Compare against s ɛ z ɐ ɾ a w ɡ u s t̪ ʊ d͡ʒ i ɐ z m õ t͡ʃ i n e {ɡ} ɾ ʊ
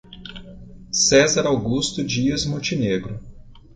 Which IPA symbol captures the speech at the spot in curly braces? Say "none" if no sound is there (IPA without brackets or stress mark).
ɡ